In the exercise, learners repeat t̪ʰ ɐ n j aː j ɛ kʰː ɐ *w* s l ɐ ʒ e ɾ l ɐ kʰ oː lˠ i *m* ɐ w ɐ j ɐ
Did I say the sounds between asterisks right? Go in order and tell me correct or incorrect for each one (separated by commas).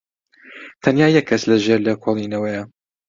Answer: incorrect, incorrect